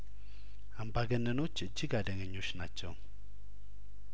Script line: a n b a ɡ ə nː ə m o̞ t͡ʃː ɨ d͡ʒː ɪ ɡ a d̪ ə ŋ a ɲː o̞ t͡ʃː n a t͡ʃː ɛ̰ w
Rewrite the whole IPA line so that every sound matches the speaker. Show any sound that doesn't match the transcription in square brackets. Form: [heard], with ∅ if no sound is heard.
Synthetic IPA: a [m] b a ɡ ə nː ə [n] o̞ t͡ʃː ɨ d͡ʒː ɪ ɡ a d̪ ə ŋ [ə] ɲː o̞ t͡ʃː n a t͡ʃː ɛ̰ w